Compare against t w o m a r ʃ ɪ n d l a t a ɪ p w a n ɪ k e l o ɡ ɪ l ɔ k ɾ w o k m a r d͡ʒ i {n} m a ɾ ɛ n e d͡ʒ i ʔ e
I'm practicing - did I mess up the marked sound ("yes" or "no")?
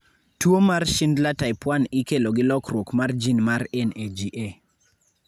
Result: no